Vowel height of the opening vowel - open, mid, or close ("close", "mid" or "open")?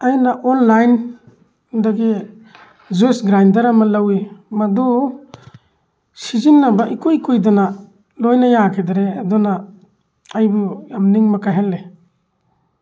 open